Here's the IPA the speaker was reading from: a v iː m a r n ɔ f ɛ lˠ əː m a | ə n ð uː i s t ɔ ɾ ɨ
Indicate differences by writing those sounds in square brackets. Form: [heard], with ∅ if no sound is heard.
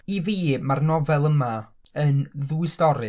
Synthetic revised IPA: [i] v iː m a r n ɔ [v] ɛ lˠ [ə] m a | ə n ð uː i s t ɔ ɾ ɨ